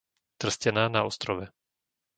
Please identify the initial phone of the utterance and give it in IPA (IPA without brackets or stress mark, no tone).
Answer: t̪